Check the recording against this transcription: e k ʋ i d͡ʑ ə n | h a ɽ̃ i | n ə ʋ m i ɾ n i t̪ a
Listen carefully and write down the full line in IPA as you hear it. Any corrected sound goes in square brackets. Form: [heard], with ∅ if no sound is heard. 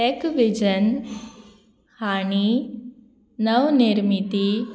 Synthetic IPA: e k ʋ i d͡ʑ ə n | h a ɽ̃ i | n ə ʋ [n] i ɾ [m] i t̪ [i]